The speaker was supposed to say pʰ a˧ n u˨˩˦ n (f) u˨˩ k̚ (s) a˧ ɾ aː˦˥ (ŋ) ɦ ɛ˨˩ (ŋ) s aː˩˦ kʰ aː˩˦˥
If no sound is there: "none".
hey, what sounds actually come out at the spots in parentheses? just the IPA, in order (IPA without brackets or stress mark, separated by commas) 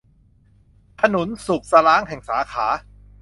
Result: s, s, ŋ, ŋ